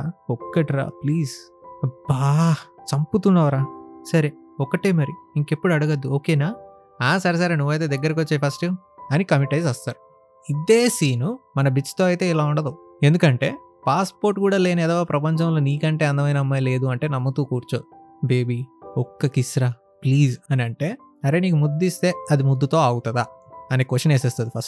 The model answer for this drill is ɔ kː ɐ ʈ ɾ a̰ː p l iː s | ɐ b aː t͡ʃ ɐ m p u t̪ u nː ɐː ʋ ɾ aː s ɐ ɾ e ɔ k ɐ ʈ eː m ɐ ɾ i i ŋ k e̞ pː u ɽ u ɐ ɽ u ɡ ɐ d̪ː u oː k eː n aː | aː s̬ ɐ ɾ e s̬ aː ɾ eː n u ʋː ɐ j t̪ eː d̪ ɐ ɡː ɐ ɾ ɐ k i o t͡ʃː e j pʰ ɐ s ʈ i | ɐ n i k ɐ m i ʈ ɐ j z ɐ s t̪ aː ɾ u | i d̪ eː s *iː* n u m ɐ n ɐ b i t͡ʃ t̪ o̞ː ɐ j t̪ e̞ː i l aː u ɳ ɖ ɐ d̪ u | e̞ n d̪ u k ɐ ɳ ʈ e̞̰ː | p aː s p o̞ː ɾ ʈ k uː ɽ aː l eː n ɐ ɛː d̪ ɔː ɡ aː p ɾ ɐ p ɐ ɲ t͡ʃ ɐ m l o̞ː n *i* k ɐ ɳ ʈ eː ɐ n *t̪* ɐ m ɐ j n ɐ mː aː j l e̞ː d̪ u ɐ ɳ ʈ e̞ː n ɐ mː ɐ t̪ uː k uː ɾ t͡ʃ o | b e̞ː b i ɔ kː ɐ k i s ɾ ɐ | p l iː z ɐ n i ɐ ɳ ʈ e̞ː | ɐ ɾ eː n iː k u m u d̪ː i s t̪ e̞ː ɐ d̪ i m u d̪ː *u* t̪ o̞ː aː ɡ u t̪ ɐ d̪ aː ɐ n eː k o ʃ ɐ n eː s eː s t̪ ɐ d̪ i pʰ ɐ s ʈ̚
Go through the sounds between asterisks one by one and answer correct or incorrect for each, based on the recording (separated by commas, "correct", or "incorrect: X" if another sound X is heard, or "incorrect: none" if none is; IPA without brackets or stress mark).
correct, incorrect: iː, incorrect: d̪, correct